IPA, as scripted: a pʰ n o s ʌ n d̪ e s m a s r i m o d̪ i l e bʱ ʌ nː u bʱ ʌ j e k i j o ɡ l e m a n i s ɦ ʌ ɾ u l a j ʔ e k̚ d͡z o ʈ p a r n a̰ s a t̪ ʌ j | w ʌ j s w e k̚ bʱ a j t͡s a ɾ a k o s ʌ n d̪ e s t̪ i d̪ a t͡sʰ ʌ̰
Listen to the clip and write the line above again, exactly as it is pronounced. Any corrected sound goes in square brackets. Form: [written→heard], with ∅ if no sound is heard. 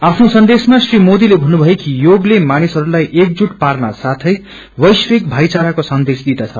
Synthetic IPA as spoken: a pʰ n o s ʌ n d̪ e s m a s r i m o d̪ i l e bʱ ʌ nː u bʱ ʌ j e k i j o ɡ l e m a n i s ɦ ʌ ɾ u l a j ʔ e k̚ d͡z [o→u] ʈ p a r n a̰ s a [t̪→t̪ʰ] ʌ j | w ʌ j s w e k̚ bʱ a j t͡s a ɾ a k o s ʌ n d̪ e s [t̪→d̪] i d̪ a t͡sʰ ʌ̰